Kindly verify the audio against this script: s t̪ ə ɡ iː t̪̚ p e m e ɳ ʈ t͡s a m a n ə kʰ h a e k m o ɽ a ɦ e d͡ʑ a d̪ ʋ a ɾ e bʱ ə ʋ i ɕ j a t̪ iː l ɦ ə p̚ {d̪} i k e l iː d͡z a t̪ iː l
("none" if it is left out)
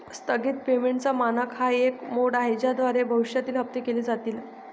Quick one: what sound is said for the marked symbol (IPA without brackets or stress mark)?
t̪